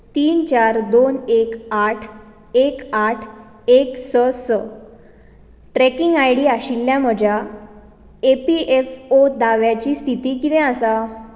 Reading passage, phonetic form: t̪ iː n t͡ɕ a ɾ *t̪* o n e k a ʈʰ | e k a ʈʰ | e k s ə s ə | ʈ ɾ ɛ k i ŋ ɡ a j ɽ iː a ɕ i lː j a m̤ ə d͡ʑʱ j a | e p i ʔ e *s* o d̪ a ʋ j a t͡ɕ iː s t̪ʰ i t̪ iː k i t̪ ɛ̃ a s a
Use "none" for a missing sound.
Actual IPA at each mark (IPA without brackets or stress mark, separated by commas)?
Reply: d̪, f